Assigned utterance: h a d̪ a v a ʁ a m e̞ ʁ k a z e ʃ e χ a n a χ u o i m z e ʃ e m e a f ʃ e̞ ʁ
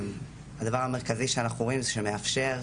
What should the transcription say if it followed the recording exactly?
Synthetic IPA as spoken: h a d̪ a v a ʁ a m e̞ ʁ k a z i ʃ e a n a χ u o i m z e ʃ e m e a f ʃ e̞ ʁ